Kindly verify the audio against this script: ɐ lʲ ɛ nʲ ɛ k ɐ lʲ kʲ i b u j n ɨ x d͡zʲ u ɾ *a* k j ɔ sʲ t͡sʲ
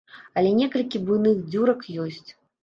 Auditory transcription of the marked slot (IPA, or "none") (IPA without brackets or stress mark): ɐ